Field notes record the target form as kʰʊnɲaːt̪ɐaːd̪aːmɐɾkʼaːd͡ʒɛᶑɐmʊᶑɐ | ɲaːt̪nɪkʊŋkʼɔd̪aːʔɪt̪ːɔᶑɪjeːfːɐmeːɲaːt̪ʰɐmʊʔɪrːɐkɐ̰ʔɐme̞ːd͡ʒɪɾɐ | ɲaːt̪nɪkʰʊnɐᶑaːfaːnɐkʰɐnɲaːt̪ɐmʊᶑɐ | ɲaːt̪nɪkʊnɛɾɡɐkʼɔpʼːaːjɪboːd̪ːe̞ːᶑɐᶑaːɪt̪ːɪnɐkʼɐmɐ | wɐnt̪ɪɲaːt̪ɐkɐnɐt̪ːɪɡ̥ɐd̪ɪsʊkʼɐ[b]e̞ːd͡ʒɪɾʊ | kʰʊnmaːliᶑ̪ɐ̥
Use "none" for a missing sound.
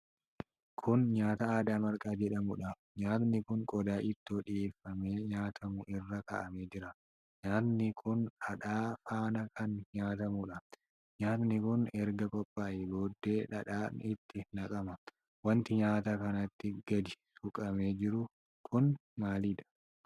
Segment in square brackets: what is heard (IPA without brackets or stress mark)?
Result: m